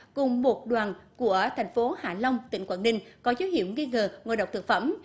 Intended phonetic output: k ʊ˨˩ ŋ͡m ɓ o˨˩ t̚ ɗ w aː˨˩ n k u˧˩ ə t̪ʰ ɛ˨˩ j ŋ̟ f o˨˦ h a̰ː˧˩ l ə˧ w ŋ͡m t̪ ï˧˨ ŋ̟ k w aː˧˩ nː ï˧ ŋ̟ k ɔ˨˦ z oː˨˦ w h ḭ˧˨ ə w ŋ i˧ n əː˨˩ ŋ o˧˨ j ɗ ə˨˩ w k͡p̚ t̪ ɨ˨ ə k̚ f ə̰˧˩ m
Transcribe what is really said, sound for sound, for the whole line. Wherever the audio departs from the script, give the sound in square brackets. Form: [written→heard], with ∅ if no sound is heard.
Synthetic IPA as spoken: k ʊ˨˩ ŋ͡m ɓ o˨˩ t̚ ɗ w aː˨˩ n k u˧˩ ə t̪ʰ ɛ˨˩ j ŋ̟ f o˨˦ h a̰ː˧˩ l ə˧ w ŋ͡m t̪ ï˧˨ ŋ̟ k w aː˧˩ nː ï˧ ŋ̟ k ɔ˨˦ z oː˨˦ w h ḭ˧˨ ə w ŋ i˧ [n→ŋ] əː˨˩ ŋ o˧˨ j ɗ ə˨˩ w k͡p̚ t̪ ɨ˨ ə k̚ f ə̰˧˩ m